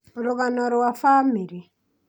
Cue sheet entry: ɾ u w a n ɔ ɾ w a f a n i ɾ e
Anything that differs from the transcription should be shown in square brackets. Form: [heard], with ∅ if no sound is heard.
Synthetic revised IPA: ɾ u [ɣ] a n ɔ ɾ w a f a [m] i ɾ [i]